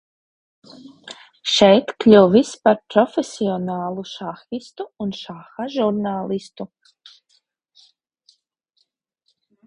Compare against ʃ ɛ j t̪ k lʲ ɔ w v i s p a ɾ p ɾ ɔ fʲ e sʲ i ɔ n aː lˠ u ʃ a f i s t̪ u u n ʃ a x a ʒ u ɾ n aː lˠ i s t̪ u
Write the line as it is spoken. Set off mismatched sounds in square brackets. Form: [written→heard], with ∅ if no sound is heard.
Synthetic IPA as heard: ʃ ɛ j t̪ k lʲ [ɔ→u] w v i s p a ɾ p ɾ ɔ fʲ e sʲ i ɔ n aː lˠ u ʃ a [f→x] i s t̪ u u n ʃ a x a ʒ u ɾ n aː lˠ i s t̪ u